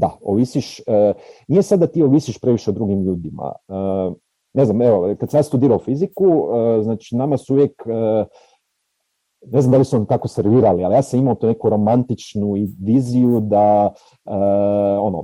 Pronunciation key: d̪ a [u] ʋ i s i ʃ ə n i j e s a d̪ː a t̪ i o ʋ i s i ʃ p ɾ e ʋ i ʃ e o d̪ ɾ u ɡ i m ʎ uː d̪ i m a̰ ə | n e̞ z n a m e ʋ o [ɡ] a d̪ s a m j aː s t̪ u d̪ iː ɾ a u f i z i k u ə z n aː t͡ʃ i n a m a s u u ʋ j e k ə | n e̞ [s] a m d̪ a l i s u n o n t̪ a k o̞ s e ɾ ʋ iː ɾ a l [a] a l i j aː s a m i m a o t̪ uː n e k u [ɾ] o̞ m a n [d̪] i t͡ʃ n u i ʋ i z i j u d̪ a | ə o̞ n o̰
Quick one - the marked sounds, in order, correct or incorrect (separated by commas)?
incorrect, incorrect, incorrect, incorrect, correct, incorrect